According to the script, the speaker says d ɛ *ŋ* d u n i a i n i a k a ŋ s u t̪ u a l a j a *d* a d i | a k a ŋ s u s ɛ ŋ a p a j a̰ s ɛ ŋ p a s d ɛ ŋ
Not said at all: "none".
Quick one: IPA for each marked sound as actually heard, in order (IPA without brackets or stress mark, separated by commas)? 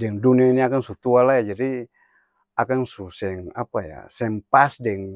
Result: ŋ, d͡ʒ